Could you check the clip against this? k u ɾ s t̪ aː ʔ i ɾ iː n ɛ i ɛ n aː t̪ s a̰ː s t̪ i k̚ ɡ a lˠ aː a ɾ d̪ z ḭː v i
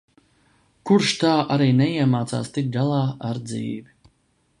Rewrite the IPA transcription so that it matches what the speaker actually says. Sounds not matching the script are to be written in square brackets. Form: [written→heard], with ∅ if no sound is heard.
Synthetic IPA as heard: k u ɾ [s→ʃ] t̪ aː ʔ [i→a] ɾ iː n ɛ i ɛ [n→m] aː t̪ s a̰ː s t̪ i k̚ ɡ a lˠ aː a ɾ d̪ z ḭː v i